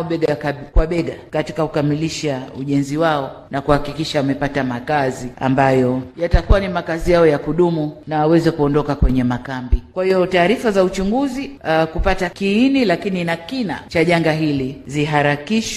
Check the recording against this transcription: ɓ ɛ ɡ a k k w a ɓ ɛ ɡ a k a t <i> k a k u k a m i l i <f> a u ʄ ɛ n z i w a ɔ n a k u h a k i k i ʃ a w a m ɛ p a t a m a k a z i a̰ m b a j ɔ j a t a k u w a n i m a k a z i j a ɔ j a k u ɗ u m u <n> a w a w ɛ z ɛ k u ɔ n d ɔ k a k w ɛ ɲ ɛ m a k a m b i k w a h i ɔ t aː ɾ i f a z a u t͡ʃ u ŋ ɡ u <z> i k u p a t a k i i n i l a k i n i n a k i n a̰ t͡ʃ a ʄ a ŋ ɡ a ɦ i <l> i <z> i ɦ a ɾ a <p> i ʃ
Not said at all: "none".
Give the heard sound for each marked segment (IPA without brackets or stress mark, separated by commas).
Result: i, ʃ, n, z, l, z, k